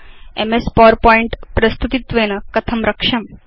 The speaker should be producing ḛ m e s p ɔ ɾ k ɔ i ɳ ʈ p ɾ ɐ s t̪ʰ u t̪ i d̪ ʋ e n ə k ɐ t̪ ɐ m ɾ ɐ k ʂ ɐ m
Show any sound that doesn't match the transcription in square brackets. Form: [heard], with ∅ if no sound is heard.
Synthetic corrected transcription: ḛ m e s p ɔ ɾ [p] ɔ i ɳ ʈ p ɾ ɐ s [t̪] u t̪ i [t̪] ʋ e n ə k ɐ [t̪ʰ] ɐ m ɾ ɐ k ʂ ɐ m